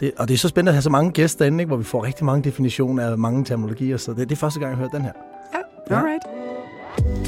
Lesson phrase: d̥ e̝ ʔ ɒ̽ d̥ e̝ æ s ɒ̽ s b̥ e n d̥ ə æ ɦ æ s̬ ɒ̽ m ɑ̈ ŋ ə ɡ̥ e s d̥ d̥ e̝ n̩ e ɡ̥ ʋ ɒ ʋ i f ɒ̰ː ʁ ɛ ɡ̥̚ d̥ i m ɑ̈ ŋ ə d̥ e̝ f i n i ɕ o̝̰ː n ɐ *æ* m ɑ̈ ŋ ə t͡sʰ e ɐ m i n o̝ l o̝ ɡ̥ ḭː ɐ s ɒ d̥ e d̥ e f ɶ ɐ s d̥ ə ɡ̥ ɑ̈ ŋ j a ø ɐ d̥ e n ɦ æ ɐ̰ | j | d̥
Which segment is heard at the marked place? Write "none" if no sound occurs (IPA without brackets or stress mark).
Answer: æ